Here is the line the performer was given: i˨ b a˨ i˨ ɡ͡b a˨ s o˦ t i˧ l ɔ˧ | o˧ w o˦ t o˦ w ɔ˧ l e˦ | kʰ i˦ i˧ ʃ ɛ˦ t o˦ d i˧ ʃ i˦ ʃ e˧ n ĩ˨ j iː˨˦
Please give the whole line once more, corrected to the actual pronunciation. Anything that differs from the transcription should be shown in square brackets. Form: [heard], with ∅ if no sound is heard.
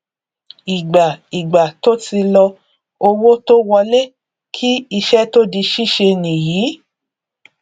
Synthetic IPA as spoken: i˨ [ɡ͡b] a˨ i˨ ɡ͡b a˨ [t] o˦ t i˧ l ɔ˧ | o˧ w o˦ t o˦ w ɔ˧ l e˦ | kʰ i˦ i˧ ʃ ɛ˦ t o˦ d i˧ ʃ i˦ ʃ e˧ n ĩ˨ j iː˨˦

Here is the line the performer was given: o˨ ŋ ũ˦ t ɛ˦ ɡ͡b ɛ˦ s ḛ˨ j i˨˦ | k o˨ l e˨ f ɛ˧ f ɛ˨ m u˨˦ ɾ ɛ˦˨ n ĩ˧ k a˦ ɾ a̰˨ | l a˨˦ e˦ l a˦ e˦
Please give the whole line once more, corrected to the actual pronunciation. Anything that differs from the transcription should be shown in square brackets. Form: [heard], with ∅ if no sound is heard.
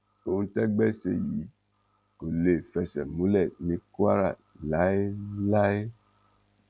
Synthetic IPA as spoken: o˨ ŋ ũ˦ t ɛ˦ ɡ͡b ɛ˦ s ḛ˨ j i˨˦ | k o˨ l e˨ f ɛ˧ [s] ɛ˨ m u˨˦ [l] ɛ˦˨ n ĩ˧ k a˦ ɾ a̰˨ | l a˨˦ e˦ l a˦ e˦

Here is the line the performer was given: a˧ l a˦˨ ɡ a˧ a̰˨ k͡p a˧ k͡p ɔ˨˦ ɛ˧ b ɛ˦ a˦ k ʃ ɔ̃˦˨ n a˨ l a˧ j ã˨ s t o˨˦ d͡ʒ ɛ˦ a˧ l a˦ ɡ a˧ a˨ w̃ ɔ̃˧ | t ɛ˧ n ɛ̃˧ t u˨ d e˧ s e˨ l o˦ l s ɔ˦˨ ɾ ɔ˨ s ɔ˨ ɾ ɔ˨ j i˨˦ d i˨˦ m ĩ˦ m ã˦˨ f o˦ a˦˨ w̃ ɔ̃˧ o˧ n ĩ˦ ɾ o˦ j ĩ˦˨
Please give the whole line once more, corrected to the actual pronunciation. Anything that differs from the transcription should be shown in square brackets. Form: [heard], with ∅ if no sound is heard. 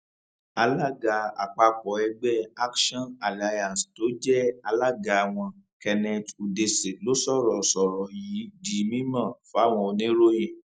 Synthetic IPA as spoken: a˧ l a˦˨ ɡ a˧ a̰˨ k͡p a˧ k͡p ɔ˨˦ ɛ˧ [ɡ͡b] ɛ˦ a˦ k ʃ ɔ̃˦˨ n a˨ l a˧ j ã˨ s t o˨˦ d͡ʒ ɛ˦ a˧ l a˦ ɡ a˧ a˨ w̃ ɔ̃˧ | [k] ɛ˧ n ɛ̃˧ t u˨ d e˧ s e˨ l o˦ [∅] s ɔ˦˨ ɾ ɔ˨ s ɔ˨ ɾ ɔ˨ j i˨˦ d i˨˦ m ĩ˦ m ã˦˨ f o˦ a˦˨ w̃ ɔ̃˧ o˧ n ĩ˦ ɾ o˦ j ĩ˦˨

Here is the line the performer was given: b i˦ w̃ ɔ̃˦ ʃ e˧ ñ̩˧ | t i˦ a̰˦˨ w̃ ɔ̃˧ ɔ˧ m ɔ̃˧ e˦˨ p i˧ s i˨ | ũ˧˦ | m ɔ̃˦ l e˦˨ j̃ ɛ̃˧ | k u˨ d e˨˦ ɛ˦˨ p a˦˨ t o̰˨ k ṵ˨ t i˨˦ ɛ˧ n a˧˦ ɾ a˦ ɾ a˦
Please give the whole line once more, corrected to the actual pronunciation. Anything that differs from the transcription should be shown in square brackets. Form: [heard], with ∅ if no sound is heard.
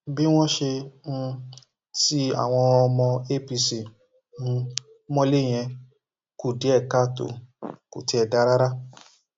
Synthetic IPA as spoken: b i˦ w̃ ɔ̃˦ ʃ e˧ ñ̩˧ | t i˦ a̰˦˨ w̃ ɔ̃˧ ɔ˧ m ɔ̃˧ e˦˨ p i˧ s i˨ | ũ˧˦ | m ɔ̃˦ l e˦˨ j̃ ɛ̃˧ | k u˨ d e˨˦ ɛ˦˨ [k] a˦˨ t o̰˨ k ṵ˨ t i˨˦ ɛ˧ [d] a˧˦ ɾ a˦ ɾ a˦

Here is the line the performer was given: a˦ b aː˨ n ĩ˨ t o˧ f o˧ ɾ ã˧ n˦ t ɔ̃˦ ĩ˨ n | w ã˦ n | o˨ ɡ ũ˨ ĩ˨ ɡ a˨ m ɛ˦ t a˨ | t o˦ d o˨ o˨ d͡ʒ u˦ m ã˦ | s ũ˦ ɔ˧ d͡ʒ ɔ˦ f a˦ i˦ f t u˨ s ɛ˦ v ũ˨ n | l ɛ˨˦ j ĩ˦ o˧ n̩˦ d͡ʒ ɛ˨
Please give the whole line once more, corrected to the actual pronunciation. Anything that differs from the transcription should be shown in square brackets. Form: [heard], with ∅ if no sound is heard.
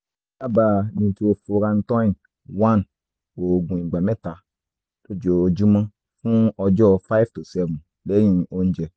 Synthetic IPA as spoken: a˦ b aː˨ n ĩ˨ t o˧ f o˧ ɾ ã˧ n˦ t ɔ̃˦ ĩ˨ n | w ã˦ n | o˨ ɡ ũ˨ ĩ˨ [ɡ͡b] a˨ m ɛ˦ t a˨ | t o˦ [d͡ʒ] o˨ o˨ d͡ʒ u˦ m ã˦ | [f] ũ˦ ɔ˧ d͡ʒ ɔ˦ f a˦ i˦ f t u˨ s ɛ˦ v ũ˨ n | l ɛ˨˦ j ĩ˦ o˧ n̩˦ d͡ʒ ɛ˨

